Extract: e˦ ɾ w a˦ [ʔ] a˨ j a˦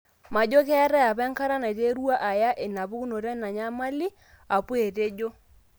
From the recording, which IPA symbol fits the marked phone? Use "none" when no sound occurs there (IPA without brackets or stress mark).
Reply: ʔ